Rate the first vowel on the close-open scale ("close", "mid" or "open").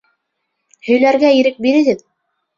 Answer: mid